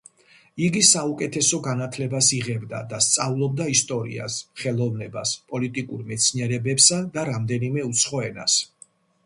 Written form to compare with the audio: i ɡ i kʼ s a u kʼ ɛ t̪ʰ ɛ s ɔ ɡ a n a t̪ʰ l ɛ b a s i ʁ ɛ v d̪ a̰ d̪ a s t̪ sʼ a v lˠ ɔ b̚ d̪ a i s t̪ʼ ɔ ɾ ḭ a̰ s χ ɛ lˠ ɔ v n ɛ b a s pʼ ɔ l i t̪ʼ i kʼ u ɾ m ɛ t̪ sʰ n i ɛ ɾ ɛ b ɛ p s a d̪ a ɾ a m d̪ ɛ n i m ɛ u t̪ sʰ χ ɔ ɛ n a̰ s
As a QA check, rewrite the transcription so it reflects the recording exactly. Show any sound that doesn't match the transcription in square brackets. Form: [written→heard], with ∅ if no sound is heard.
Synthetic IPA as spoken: i ɡ i [kʼ→∅] s a u kʼ ɛ t̪ʰ ɛ s ɔ ɡ a n a t̪ʰ l ɛ b a s i ʁ ɛ [v→b] d̪ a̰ d̪ a s t̪ sʼ a v lˠ ɔ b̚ d̪ a i s t̪ʼ ɔ ɾ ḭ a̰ s χ ɛ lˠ ɔ v n ɛ b a s pʼ ɔ l i t̪ʼ i kʼ u ɾ m ɛ t̪ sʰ n i ɛ ɾ ɛ b ɛ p s a d̪ a ɾ a m d̪ ɛ n i m ɛ u t̪ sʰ χ ɔ ɛ n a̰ s